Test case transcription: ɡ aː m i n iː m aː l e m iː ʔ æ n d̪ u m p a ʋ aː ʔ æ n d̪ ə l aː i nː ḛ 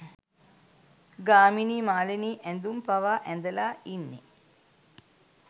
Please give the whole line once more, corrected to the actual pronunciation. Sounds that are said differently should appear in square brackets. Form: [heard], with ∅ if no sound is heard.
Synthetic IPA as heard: ɡ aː m i n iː m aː l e [n] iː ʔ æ n d̪ u m p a ʋ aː ʔ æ n d̪ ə l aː i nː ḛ